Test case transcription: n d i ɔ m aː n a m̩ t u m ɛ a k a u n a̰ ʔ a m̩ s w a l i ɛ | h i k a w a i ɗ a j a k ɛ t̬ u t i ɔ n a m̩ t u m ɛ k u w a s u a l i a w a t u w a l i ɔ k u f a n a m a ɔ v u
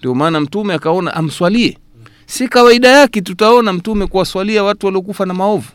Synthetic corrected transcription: n d i ɔ m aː n a m̩ t u m ɛ a k a ɔ n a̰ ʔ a m̩ s w a l i ɛ | s i k a w a i ɗ a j a k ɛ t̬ u t a ɔ n a m̩ t u m ɛ k u w a s w a l i a w a t u w a l i ɔ k u f a n a m a ɔ v u